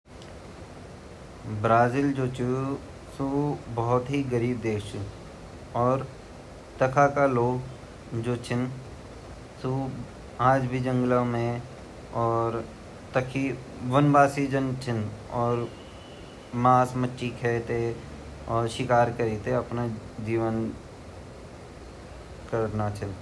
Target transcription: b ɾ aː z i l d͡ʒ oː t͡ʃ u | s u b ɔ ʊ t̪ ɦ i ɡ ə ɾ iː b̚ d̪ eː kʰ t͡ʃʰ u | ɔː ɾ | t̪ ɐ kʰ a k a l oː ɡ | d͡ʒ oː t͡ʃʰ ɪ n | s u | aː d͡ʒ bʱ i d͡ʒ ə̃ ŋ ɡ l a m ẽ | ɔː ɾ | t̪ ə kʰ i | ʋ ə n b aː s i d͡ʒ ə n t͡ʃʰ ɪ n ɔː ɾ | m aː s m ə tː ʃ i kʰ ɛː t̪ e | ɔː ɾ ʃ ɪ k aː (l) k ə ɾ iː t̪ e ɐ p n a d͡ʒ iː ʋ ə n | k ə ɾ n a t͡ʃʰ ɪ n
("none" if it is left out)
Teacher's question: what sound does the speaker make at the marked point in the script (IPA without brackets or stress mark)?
ɾ